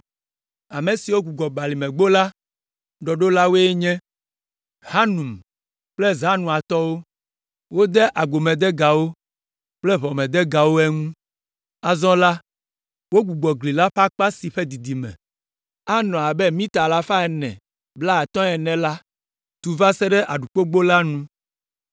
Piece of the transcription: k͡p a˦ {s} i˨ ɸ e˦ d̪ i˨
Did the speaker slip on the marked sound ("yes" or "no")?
no